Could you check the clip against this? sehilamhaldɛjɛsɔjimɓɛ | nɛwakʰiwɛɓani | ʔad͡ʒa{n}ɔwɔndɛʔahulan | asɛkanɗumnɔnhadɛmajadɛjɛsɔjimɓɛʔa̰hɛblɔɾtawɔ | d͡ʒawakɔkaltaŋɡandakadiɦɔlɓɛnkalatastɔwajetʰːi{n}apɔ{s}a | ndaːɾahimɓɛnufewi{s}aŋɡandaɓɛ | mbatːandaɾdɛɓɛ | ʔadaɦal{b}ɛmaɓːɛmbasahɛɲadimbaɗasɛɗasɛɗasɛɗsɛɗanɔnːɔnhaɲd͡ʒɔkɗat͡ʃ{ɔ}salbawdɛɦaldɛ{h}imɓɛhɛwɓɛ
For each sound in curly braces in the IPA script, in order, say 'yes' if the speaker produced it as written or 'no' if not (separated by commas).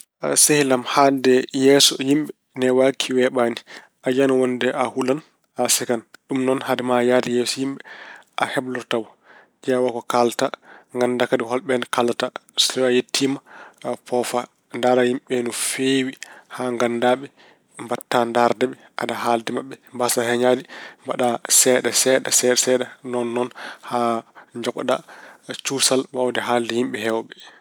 yes, no, no, no, no, no, yes